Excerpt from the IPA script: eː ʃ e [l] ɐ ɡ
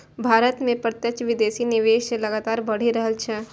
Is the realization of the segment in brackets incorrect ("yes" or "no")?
no